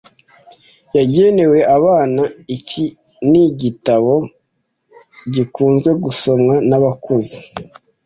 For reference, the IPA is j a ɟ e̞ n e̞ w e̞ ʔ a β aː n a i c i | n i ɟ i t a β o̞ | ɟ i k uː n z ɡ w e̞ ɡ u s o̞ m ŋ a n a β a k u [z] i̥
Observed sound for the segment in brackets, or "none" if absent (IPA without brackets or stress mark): z